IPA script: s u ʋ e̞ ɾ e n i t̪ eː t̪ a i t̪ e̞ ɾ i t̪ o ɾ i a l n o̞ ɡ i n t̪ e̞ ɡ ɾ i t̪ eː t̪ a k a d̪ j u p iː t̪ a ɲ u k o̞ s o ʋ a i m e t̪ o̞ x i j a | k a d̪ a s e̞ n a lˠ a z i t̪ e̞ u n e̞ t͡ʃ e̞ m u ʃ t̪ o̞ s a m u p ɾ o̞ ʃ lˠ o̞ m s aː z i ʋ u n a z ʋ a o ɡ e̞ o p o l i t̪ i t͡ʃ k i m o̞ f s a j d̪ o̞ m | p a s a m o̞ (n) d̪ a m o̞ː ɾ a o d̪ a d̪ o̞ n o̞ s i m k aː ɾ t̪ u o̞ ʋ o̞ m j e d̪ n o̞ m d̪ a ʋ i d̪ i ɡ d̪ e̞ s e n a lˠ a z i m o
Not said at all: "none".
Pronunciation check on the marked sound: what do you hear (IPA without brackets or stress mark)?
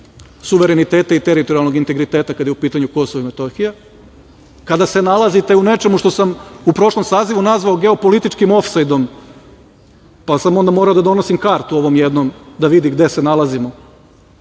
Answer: n